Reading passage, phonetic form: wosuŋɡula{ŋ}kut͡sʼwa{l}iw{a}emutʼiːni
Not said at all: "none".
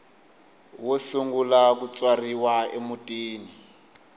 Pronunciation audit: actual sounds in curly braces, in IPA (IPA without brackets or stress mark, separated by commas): none, r, a